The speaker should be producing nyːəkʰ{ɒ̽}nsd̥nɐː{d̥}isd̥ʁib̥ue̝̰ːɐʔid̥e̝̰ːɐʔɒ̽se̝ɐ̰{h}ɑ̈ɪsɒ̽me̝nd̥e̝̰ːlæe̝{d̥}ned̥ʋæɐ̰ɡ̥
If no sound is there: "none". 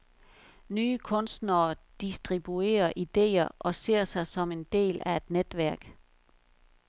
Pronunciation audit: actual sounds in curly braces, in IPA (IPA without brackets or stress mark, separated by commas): ɔ̽, d̥, s, d̥